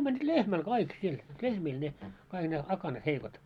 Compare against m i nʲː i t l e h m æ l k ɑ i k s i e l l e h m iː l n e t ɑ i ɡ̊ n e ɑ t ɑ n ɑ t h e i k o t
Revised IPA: m æ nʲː i t l e h m æ l k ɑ i k s i e l l e h m iː l n e k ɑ i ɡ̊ n e ɑ k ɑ n ɑ t h e i k o t